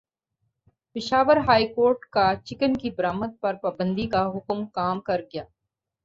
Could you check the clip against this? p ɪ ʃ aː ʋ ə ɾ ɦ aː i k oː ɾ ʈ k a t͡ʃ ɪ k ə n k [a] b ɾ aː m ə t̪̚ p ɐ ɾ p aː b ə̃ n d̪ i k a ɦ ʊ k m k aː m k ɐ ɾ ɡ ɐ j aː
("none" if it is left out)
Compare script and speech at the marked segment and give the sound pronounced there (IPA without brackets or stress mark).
i